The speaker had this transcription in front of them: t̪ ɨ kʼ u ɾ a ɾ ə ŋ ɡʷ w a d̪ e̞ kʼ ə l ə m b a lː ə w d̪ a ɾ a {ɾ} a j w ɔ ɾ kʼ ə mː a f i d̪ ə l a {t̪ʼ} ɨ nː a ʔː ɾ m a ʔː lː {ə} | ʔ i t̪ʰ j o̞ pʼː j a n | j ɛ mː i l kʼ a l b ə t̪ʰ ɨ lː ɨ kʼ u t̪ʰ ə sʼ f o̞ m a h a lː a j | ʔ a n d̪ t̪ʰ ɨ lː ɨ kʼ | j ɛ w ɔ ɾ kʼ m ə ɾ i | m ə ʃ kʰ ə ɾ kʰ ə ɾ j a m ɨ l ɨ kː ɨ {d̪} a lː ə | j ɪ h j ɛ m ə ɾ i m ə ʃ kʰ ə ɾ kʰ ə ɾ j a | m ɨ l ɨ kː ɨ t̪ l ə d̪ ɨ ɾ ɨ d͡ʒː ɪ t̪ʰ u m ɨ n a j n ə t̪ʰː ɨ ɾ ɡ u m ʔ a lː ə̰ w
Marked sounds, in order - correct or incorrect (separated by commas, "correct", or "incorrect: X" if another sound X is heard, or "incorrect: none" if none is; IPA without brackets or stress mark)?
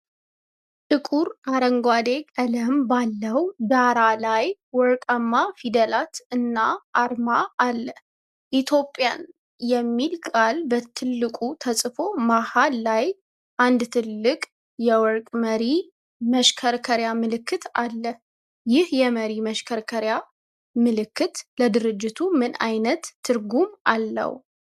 incorrect: l, incorrect: t̪, correct, incorrect: t̪